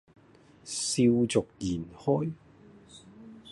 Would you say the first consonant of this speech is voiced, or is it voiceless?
voiceless